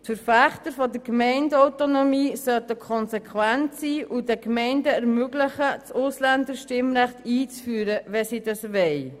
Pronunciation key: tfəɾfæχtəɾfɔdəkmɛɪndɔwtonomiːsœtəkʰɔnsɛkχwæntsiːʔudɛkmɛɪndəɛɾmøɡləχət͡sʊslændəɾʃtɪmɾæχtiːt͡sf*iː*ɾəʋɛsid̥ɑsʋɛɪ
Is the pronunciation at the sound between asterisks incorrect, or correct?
incorrect: yː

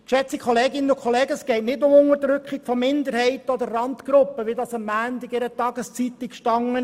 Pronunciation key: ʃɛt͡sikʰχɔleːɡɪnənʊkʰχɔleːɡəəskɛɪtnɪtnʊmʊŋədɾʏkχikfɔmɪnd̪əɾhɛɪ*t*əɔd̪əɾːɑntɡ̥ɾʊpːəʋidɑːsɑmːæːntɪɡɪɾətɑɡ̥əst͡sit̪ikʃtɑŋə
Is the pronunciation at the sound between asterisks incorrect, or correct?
correct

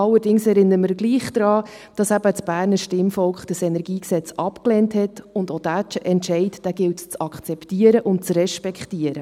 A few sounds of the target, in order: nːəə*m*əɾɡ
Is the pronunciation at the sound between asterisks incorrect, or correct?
correct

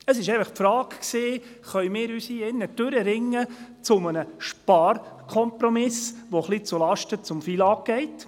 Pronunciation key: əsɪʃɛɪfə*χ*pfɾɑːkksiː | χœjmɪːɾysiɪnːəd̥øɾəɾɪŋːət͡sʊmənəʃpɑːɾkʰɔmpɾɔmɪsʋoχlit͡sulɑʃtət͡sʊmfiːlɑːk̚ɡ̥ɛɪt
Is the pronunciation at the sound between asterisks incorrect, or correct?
correct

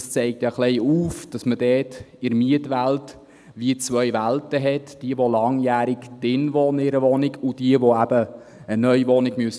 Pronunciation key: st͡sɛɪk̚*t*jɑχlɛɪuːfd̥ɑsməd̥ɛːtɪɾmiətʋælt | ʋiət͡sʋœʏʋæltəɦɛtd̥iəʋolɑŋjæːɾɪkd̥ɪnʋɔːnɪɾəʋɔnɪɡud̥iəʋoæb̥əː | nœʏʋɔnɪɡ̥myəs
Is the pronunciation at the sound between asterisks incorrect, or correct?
correct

